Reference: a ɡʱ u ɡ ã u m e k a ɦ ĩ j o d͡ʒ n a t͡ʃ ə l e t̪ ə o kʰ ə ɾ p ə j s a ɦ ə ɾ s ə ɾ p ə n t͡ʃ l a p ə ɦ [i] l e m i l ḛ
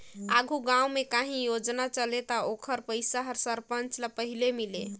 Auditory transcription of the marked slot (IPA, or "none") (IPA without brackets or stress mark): i